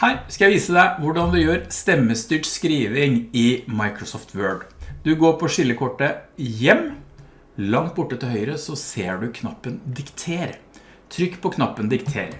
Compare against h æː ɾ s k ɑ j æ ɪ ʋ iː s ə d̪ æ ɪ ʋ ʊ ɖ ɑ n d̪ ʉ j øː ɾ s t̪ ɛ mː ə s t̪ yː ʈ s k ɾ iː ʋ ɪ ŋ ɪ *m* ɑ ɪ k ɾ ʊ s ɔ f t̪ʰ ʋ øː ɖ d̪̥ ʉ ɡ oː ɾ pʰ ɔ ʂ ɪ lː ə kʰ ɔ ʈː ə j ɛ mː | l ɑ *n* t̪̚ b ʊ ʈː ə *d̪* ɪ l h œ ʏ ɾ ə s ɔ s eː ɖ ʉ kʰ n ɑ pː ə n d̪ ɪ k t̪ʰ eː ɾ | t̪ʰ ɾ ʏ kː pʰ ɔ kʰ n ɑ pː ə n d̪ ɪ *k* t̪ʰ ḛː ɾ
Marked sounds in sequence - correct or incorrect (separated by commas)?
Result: correct, incorrect, incorrect, correct